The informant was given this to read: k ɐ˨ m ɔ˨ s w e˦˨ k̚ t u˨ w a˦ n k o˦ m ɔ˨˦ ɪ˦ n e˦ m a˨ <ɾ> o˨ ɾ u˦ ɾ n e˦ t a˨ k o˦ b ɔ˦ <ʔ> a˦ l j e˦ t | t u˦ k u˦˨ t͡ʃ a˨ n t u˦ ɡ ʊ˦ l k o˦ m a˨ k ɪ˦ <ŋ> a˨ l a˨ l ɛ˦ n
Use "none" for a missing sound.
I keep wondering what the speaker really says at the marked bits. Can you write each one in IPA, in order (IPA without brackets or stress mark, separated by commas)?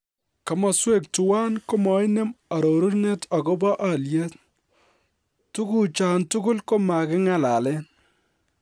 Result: ɾ, ʔ, ŋ